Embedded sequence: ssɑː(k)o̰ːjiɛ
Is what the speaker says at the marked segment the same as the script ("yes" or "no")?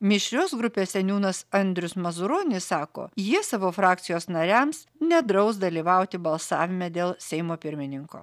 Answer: yes